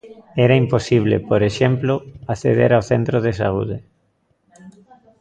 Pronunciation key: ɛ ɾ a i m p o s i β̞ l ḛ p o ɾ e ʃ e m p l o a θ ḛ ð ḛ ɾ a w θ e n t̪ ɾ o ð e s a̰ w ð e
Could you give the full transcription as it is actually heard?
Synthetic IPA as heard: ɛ ɾ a i m p o s i β̞ l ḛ p o ɾ e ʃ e m p l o a θ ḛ ð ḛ ɾ a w θ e n t̪ ɾ o ð e s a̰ u ð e

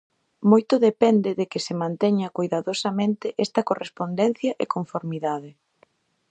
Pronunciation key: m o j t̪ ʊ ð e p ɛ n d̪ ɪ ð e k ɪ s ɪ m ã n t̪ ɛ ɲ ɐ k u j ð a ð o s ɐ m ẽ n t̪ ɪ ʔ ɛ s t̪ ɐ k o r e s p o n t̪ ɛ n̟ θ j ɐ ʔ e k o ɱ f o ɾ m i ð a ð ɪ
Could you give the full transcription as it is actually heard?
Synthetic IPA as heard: m o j t̪ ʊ ð e p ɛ n d̪ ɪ ð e k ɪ s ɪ m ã n t̪ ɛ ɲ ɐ k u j ð a ð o s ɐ m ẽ n t̪ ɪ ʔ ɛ s t̪ ɐ k o r e s p o n d̪ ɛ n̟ θ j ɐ ʔ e k o ɱ f o ɾ m i ð a ð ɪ

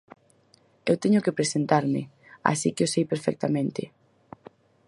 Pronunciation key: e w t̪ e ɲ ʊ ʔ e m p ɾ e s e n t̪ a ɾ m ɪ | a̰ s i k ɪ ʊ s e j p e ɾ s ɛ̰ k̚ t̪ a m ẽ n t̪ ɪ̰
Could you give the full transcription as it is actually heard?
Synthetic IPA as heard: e w t̪ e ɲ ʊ k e p ɾ e s e n t̪ a ɾ m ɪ | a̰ s i k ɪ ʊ s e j p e ɾ f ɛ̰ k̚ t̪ a m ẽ n t̪ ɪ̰

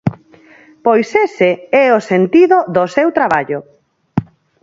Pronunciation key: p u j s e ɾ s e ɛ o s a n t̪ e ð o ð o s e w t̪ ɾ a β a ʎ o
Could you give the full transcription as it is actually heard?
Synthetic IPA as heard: p o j s e s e ɛ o s e n t̪ i ð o ð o s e w t̪ ɾ a β a ʎ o

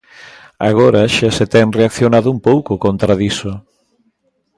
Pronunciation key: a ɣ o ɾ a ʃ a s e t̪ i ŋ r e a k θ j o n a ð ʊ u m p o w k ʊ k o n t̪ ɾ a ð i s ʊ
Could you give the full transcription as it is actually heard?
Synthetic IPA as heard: a ɣ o ɾ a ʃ a s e t̪ ɛ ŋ r e a k θ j o n a ð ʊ u m p o w k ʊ k o n t̪ ɾ a ð i s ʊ

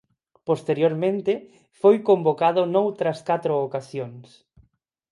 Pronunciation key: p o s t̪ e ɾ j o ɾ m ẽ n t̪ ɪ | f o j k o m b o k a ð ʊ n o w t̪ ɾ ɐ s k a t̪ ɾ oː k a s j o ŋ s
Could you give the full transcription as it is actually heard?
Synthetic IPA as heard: p o s t̪ e ɾ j o ɾ m ẽ n t̪ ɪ | f o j k o m b o k a ð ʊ n o w t̪ ɾ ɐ s k a t̪ ɾ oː k a s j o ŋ s

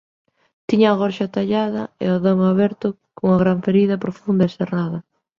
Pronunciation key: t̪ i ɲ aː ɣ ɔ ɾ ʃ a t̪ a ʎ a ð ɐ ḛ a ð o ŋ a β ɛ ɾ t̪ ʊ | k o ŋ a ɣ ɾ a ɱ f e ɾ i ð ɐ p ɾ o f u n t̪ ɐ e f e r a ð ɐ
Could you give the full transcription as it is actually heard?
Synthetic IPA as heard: t̪ i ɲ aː ɣ ɔ ɾ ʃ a t̪ a ʎ a ð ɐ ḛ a ð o ŋ a β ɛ ɾ t̪ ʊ | k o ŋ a ɣ ɾ a ɱ f e ɾ i ð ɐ p ɾ o f u n d̪ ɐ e s e r a ð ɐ

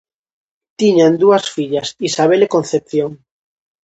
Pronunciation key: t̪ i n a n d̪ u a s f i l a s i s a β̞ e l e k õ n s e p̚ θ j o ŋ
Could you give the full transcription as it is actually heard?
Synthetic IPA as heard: t̪ i ɲ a n d̪ u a s f i ʎ a s i s a β̞ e l e k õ n θ e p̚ θ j o ŋ

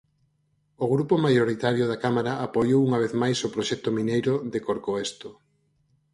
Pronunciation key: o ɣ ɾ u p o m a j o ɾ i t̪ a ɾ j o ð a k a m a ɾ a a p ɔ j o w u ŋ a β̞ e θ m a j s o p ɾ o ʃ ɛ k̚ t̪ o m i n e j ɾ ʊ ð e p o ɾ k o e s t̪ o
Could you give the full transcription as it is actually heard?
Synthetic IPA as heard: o ɣ ɾ u p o m a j o ɾ i t̪ a ɾ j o ð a k a m a ɾ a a p o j o w u ŋ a β̞ e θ m a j s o p ɾ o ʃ ɛ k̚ t̪ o m i n e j ɾ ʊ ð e k o ɾ k o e s t̪ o

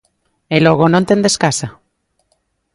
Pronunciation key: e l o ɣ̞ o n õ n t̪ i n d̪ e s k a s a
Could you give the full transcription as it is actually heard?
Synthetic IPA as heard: e l o ɣ̞ o n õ n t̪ e n d̪ e s k a s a

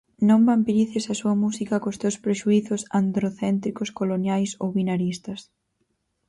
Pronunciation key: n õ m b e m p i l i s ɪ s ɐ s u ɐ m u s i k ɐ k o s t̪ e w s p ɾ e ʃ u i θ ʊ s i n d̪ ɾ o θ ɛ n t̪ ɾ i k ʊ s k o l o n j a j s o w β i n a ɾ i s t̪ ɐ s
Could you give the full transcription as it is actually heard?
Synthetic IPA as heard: n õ m b a m p i ɾ i θ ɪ s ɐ s u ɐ m u s i k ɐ k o s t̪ e w s p ɾ e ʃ u i θ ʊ s a n d̪ ɾ o θ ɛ n t̪ ɾ i k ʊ s k o l o n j a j s o w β i n a ɾ i s t̪ ɐ s

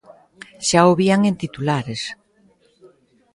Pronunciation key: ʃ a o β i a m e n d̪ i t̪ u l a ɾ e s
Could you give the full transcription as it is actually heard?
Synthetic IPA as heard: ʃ a o β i a ŋ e n t̪ i t̪ u l a ɾ e s

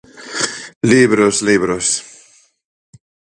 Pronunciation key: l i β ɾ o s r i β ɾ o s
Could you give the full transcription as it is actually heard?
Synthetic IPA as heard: l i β ɾ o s l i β ɾ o s

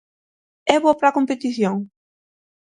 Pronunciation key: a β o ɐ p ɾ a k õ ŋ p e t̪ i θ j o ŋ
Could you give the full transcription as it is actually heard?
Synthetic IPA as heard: ɛ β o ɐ p ɾ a k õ m p e t̪ i θ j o ŋ

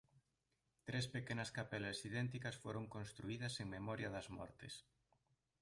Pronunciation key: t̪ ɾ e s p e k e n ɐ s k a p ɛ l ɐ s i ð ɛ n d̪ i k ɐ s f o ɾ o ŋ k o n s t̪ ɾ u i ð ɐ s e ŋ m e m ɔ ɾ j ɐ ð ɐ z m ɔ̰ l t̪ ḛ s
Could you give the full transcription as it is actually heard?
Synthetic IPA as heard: t̪ ɾ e s p e k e n ɐ s k a p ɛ l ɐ s i ð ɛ n t̪ i k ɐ s f o ɾ o ŋ k o n s t̪ ɾ u i ð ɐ s e ŋ m e m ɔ ɾ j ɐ ð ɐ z m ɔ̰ ɾ t̪ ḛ s

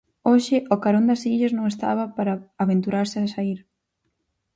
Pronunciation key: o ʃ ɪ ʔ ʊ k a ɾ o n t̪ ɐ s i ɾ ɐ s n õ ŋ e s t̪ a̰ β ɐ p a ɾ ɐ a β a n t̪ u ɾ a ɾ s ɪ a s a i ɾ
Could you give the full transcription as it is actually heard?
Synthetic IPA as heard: o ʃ ɪ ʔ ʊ k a ɾ o n d̪ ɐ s i ʎ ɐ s n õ ŋ e s t̪ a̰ β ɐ p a ɾ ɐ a β e n t̪ u ɾ a ɾ s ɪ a s a i ɾ

